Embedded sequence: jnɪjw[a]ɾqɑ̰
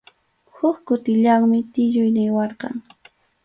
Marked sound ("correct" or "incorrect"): incorrect